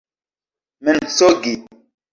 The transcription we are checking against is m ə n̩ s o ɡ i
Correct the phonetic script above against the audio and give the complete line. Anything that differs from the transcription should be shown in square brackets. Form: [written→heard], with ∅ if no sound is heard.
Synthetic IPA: m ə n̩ s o ɡ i